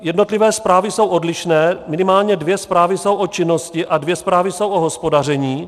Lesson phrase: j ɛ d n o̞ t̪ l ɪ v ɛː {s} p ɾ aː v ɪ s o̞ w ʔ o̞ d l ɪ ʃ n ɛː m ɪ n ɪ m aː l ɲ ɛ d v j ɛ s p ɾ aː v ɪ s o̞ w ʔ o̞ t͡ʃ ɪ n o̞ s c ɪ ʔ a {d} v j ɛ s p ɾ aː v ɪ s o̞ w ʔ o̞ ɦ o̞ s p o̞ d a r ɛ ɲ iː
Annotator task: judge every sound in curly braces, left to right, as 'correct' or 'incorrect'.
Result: correct, correct

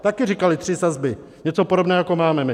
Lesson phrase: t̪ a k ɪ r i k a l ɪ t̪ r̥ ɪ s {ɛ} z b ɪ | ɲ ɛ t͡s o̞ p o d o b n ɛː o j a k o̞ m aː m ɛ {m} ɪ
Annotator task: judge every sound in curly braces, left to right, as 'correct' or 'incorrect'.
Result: incorrect: a, correct

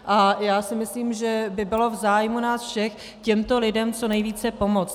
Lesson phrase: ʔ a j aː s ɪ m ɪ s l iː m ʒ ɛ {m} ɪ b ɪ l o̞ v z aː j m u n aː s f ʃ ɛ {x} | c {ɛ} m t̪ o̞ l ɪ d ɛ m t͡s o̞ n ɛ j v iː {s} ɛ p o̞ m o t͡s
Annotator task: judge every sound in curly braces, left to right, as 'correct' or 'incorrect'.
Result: incorrect: b, correct, correct, incorrect: t͡s

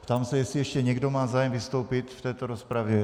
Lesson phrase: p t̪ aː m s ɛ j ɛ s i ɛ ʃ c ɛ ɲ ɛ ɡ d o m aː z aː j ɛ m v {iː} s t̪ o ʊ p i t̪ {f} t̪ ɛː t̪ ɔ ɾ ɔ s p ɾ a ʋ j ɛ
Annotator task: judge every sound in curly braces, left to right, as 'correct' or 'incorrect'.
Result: incorrect: i, correct

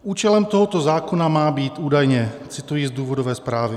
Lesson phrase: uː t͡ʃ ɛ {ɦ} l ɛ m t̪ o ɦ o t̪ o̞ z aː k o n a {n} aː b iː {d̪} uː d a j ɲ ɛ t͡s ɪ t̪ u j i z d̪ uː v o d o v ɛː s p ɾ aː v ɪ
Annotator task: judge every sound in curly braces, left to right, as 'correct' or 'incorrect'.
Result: incorrect: none, incorrect: m, incorrect: t̪

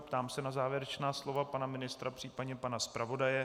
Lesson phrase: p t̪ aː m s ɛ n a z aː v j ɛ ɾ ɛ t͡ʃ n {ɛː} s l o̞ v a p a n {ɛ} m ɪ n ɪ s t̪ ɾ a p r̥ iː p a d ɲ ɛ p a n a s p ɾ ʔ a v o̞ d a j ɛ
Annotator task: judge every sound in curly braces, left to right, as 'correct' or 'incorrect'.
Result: incorrect: aː, incorrect: a

